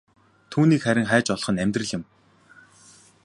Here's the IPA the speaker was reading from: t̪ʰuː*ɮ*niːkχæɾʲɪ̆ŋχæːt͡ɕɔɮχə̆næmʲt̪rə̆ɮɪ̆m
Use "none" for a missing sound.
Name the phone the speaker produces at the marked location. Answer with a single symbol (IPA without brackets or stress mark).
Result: none